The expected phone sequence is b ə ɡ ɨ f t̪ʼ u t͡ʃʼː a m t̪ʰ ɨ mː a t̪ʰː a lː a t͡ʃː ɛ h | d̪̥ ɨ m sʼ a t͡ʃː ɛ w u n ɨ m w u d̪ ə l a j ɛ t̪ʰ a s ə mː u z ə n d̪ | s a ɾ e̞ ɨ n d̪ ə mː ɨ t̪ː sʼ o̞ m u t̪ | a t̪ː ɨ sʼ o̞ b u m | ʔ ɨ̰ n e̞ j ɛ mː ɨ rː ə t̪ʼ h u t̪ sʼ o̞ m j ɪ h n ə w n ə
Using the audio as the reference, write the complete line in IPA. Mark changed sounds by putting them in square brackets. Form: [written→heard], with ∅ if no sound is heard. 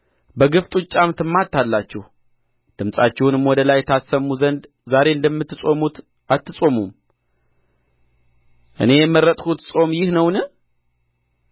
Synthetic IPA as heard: b ə ɡ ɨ f t̪ʼ u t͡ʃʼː a m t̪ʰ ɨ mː a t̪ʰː a lː a t͡ʃː ɛ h | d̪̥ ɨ m sʼ a t͡ʃː ɛ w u n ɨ m w [u→ɔ] d̪ ə l a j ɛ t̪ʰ a s ə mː u z ə n d̪ | [s→z] a ɾ e̞ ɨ n d̪ ə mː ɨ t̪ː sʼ o̞ m u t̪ | a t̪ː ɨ sʼ o̞ [b→m] u m | ʔ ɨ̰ n e̞ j ɛ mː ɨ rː ə t̪ʼ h u t̪ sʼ o̞ m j ɪ h n ə w n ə